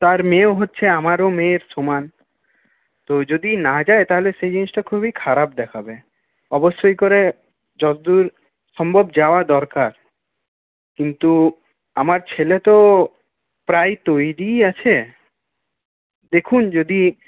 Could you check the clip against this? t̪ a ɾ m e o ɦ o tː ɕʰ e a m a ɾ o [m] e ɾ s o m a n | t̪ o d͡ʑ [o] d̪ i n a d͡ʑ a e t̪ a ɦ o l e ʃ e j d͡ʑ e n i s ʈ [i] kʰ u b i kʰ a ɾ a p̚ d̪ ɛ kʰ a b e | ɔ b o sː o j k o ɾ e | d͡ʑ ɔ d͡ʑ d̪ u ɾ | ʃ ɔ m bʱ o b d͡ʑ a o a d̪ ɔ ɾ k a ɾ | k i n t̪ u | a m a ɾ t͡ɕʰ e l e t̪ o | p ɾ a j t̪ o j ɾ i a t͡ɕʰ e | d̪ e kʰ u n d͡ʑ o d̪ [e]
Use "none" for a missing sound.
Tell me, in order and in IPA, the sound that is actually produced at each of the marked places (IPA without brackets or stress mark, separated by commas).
m, o, a, i